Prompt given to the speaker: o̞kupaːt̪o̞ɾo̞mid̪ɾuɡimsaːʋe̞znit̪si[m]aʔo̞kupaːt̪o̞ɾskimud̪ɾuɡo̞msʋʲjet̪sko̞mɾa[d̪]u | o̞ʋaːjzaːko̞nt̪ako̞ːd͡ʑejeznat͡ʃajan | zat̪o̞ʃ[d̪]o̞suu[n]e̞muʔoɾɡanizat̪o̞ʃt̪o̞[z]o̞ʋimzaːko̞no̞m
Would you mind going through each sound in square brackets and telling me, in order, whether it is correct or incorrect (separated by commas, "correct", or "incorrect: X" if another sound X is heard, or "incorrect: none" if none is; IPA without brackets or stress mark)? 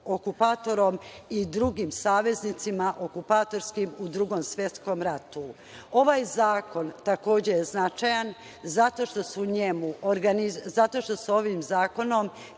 correct, incorrect: t̪, incorrect: t̪, incorrect: ɲ, incorrect: s